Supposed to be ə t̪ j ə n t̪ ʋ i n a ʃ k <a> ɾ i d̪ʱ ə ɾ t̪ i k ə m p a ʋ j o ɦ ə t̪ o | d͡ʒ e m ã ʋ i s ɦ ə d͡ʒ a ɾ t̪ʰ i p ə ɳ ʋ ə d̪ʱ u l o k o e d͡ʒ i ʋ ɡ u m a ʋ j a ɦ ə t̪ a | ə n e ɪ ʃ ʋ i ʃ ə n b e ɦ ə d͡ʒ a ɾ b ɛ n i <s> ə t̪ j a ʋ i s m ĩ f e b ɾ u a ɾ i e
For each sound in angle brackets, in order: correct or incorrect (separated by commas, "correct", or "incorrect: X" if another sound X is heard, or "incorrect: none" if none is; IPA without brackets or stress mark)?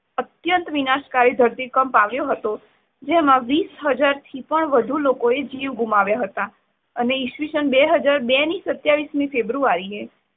correct, correct